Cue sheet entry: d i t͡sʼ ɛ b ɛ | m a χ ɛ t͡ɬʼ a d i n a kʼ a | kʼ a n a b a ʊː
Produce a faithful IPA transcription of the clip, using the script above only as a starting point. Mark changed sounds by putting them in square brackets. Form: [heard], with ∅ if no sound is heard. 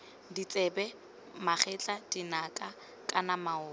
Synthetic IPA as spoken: d i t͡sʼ ɛ b ɛ | m a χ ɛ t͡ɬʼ a d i n a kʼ a | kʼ a n a [m] a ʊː

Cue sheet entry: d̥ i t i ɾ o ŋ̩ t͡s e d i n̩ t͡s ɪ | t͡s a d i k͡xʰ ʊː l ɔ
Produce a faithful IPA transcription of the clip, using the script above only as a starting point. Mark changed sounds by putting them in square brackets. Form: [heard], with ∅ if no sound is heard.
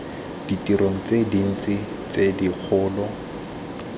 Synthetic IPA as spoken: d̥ i t i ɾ o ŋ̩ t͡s e d i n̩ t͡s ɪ | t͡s [e] d i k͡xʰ ʊː l ɔ

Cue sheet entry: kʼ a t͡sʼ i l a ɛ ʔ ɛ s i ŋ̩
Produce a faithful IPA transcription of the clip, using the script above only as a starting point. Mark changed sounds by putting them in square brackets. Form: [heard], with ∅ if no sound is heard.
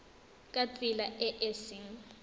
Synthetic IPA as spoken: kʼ a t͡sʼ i l a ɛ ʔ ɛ s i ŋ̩

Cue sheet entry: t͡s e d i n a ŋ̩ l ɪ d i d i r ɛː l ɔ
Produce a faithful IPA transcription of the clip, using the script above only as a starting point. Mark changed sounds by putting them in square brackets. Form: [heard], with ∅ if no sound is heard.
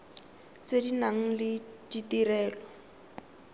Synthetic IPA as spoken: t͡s e d i n a ŋ̩ l ɪ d i [t] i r ɛː l ɔ

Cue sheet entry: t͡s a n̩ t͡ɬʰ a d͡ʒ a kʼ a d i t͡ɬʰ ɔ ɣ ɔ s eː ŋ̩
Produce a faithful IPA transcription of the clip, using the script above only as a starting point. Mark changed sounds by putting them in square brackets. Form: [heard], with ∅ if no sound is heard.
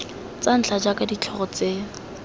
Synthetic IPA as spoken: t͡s a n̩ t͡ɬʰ a d͡ʒ a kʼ a d i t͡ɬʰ ɔ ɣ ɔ [t͡s] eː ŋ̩

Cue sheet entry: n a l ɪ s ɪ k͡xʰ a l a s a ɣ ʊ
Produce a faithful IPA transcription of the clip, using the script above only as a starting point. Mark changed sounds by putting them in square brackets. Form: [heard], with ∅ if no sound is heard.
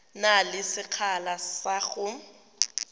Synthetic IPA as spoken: n a l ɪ s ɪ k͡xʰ a l a s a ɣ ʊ

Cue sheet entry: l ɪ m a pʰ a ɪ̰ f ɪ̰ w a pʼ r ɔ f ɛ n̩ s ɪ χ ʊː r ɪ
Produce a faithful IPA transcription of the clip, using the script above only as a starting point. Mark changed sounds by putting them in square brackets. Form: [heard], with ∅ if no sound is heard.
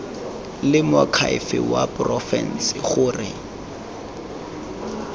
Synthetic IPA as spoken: l ɪ m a [kʰ] a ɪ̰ f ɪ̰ w a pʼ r ɔ f ɛ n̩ s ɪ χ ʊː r ɪ

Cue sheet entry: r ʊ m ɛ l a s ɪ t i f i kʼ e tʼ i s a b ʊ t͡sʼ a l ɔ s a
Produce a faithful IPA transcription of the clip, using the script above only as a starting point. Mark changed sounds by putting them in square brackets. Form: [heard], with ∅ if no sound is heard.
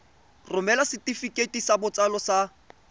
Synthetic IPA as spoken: r ʊ m ɛ l a s ɪ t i f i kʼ e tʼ i s a b ʊ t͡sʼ a l ɔ s a

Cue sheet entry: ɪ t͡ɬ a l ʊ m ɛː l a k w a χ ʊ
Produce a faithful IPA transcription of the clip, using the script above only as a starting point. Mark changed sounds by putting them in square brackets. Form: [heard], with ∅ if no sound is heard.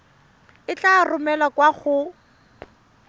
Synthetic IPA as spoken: ɪ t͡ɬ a [r] ʊ m [ɛ] l a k w a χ ʊ

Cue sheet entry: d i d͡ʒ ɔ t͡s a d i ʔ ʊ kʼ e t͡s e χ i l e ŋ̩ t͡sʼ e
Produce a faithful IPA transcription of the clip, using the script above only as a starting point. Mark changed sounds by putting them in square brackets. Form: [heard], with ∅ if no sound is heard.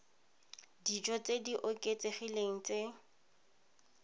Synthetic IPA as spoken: d i d͡ʒ ɔ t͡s [e] d i ʔ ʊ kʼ e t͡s e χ i l e ŋ̩ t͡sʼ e

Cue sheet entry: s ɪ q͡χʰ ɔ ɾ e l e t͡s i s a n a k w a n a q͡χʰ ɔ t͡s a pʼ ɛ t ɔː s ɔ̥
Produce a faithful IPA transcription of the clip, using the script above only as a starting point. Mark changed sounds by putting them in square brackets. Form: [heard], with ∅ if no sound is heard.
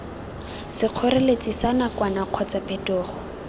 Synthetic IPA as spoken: s ɪ q͡χʰ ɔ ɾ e l e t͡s i s a n a k w a n a q͡χʰ ɔ t͡s a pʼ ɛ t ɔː [χ] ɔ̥

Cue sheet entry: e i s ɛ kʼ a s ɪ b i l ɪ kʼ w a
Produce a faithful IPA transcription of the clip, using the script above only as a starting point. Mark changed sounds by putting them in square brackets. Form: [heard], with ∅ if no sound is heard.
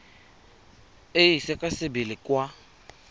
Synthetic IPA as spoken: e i s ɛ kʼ a s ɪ b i l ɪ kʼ w a

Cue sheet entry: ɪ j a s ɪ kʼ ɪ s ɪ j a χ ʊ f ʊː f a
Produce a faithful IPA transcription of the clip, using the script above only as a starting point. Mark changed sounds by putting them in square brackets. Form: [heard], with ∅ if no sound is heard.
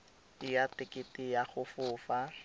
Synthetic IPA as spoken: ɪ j a [t] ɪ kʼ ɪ [t] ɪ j a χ ʊ f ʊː f a

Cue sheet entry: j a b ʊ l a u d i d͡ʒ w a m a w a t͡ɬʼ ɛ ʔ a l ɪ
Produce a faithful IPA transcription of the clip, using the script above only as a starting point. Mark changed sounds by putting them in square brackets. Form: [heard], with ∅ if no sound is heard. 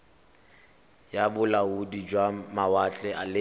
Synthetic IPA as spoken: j a b ʊ l a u d i d͡ʒ w a m a w a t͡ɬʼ ɛ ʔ a l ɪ

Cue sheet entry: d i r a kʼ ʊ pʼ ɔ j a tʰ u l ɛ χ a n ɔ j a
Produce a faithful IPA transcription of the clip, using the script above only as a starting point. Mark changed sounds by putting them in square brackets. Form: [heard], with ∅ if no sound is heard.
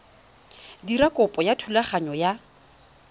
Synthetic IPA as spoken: d i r a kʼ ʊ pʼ ɔ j a tʰ u l [a] χ a [ɲ] ɔ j a

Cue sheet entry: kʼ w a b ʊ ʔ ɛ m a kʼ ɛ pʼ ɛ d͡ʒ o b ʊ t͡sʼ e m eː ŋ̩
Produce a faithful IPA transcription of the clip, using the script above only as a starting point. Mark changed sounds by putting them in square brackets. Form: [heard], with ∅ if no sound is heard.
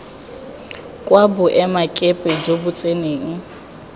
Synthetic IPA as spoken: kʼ w a b ʊ ʔ ɛ m a kʼ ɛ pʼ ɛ d͡ʒ o b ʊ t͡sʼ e [n] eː ŋ̩

